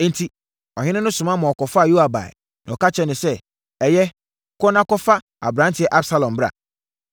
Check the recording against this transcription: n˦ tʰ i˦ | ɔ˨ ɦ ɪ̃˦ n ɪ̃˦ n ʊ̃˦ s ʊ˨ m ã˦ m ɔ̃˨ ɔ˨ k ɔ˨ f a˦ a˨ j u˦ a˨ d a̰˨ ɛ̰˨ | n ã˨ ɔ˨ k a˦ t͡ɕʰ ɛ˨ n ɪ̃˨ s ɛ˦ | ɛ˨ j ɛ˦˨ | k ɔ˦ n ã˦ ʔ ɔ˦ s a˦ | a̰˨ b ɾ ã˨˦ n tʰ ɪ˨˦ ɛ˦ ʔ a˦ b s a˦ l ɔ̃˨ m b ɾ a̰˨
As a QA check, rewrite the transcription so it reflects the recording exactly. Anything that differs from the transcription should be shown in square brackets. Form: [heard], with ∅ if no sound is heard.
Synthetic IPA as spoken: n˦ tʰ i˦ | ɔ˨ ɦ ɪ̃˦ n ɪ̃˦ n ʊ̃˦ s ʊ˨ m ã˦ m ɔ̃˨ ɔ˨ k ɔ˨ f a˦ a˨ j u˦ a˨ [b] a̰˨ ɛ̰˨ | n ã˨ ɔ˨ k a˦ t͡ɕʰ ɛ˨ n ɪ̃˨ s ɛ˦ | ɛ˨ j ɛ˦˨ | k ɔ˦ n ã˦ [k] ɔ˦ [f] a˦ | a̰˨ b ɾ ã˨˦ n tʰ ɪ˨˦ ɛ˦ ʔ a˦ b s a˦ l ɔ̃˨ m b ɾ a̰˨

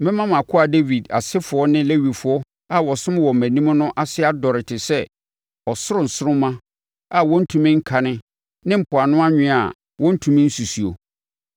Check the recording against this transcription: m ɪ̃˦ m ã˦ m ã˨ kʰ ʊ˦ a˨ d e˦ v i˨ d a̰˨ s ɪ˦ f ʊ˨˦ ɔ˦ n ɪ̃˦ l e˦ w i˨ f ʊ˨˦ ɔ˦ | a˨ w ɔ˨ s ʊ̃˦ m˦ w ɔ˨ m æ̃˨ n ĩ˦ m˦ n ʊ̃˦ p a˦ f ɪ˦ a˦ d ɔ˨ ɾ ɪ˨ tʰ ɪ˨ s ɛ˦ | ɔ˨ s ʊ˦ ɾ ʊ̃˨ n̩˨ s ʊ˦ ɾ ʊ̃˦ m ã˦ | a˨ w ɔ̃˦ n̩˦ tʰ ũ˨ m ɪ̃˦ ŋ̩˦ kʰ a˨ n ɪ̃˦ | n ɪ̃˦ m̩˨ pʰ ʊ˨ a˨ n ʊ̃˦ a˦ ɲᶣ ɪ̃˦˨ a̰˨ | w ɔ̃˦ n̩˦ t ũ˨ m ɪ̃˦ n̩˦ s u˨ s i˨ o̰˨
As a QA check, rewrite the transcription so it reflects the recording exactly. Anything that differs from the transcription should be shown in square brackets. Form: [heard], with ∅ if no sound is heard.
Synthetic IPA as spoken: m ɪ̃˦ m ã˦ m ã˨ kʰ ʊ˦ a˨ d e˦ v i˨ d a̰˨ s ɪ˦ f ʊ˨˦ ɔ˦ n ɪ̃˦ l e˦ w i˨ f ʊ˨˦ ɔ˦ | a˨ w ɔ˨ s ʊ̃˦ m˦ w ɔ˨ m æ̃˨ n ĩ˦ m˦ n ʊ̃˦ [ʔ] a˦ [s] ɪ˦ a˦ d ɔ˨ ɾ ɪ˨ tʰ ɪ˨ s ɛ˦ | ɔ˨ s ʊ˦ ɾ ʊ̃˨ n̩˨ s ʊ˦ ɾ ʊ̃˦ m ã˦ | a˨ w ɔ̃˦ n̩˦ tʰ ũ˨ m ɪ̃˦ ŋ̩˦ kʰ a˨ n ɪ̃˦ | n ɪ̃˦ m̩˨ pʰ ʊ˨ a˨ n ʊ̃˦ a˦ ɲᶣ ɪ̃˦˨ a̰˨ | w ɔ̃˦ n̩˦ [tʰ] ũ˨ m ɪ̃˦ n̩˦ s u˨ s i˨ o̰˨

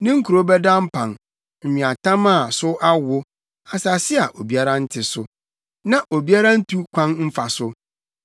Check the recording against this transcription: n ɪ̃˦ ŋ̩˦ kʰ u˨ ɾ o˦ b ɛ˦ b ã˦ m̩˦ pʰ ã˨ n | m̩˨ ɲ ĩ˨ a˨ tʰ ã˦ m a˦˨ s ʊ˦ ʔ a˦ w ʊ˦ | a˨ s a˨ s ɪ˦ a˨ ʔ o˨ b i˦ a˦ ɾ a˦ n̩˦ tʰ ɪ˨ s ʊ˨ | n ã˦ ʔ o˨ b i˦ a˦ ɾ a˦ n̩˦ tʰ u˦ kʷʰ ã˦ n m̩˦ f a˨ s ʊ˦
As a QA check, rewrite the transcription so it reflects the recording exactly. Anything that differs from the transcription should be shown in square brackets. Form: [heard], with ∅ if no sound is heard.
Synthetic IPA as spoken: n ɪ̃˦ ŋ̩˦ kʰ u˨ ɾ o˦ b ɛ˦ [d] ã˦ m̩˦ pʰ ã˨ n | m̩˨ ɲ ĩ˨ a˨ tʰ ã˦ m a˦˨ s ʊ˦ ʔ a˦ w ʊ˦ | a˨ s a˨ s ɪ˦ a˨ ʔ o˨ b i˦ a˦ ɾ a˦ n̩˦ tʰ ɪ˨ s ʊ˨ | n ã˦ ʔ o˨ b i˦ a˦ ɾ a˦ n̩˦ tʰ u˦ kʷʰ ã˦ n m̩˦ f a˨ s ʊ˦

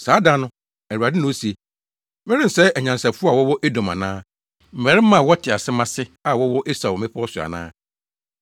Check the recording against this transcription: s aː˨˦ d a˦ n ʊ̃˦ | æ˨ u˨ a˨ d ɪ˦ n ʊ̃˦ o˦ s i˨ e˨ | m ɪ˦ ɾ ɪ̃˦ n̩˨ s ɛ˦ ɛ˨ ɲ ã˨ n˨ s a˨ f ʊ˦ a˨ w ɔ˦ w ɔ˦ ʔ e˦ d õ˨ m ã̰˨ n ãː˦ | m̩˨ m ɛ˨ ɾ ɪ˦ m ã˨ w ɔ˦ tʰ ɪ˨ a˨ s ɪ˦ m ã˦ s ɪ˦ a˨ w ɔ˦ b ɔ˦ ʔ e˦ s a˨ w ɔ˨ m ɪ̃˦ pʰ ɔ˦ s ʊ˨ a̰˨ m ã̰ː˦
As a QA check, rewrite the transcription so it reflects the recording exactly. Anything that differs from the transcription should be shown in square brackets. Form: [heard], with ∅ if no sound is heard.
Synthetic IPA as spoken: s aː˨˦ d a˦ n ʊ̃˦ | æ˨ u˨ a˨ d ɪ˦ n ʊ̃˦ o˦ s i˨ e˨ | m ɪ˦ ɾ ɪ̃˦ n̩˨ s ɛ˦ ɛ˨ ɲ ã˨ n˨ s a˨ f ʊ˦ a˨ w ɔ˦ w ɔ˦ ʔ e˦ d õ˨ m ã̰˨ n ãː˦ | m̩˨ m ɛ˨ ɾ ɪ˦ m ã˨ w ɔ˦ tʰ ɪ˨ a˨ s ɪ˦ m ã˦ s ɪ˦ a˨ w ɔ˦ [w] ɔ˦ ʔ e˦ s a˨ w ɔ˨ m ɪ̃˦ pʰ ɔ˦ s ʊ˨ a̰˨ [n] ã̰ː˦

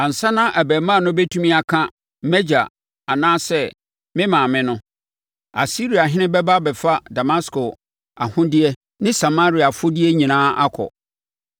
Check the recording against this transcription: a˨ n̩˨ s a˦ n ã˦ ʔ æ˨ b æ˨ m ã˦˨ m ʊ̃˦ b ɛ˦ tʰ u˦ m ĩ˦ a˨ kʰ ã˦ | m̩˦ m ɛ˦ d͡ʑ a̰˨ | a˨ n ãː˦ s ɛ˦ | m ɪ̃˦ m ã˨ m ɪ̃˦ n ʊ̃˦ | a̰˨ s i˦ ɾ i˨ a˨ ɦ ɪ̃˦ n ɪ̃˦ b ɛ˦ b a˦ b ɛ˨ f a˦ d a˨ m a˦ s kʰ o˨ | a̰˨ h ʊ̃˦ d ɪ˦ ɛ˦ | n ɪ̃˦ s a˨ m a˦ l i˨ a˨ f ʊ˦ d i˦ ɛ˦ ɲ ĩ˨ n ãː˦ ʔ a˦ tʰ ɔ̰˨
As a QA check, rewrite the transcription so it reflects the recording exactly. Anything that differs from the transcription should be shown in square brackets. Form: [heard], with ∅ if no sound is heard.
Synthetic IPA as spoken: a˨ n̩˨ s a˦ n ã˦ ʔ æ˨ b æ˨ m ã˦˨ [n] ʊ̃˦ b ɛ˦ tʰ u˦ m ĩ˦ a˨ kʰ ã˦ | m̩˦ m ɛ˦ d͡ʑ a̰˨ | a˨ n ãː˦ s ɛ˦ | m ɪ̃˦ m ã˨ m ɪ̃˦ n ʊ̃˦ | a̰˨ s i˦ ɾ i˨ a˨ ɦ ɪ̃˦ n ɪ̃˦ b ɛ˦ b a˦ b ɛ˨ f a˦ d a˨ m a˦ s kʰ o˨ | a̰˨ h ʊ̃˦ d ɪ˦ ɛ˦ | n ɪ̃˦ s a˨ m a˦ [ɾ] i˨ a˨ f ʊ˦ d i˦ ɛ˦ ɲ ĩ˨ n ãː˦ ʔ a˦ [kʰ] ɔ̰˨

